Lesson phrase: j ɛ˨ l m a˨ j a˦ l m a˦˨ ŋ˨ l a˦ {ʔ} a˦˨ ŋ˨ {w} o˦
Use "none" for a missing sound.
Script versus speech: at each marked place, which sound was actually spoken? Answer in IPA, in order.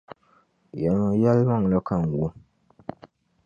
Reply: k, w

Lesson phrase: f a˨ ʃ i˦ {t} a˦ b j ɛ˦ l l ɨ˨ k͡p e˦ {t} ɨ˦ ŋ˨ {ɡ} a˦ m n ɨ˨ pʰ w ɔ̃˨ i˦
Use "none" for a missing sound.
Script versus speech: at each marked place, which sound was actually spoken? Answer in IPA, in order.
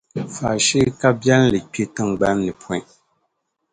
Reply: k, t, ɡ͡b

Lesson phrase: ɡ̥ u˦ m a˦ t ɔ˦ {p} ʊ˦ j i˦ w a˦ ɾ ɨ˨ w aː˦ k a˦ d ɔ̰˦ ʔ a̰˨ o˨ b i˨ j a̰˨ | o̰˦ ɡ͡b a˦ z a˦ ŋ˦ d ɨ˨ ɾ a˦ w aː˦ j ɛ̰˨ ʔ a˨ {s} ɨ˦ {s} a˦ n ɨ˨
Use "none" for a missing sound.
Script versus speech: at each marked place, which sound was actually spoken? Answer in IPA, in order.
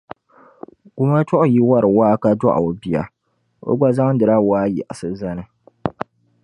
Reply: ʔ, s, z

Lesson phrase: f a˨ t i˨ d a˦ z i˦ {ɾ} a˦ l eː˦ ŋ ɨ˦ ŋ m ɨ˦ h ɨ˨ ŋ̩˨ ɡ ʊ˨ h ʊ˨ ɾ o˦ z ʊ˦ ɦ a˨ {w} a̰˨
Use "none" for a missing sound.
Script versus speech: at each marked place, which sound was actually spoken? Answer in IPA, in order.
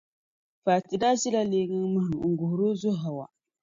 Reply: l, w

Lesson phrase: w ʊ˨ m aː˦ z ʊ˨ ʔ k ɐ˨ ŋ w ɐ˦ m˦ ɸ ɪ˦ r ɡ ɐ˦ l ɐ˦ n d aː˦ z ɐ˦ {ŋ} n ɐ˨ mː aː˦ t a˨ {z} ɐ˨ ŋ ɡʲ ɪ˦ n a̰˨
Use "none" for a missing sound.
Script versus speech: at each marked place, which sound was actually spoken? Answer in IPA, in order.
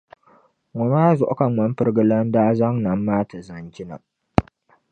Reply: ŋ, z

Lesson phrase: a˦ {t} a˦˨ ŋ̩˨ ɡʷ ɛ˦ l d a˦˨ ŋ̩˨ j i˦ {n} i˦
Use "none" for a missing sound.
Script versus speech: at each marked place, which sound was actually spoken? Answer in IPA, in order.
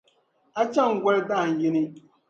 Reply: t͡ʃ, n

